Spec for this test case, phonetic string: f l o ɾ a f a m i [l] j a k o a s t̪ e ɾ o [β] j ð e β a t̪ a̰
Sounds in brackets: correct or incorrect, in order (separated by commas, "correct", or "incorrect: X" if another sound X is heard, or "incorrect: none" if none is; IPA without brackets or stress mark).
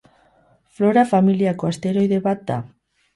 correct, incorrect: none